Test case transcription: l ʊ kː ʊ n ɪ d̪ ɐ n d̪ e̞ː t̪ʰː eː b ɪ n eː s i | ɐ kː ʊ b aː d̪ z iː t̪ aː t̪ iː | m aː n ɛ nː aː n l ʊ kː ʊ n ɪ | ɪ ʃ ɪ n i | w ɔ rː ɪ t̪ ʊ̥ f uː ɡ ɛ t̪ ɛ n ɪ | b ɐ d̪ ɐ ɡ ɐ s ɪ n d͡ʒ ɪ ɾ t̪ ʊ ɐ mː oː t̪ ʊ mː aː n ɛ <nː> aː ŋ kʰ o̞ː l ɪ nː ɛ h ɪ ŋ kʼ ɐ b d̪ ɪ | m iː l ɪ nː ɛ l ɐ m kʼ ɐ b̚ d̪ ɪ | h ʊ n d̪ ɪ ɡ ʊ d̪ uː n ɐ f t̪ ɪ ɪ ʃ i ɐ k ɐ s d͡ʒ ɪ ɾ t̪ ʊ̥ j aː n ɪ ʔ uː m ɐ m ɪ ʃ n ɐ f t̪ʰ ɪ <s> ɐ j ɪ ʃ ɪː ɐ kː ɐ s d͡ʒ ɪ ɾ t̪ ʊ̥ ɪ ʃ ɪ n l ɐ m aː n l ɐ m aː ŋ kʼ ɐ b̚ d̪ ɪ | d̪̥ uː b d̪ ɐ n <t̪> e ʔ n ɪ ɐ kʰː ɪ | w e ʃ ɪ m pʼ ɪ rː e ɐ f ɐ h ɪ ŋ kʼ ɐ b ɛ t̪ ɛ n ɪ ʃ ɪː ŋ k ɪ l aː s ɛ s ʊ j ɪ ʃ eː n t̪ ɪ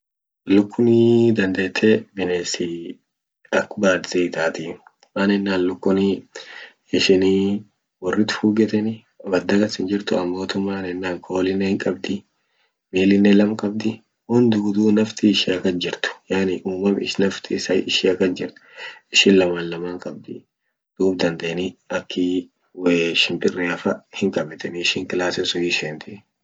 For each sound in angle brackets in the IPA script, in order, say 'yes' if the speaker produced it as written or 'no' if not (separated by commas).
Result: yes, yes, no